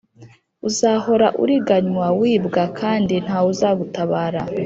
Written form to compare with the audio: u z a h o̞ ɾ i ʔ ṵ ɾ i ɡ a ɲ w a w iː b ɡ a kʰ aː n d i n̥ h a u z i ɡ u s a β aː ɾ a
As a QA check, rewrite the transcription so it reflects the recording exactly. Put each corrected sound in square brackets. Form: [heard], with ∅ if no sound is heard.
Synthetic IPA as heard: u z a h o̞ ɾ [a] ʔ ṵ ɾ i ɡ a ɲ w a w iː b ɡ a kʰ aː n d i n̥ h a u z [a] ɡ u [t] a β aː ɾ a